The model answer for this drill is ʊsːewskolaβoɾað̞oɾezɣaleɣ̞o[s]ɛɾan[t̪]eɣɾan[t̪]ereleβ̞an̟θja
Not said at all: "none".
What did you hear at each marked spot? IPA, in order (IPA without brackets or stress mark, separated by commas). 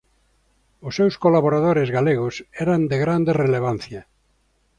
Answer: s, d̪, d̪